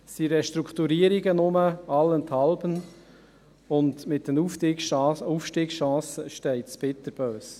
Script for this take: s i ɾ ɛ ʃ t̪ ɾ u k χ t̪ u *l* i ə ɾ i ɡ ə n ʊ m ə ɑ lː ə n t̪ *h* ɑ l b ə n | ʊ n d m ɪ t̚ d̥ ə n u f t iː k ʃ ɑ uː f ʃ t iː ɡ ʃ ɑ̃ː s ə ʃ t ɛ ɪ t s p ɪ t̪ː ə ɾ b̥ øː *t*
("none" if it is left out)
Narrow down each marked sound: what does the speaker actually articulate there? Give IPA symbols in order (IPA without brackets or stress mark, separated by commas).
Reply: ɾ, h, s